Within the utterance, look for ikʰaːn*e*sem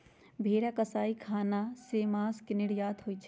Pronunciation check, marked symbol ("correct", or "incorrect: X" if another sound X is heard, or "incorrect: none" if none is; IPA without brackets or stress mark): incorrect: a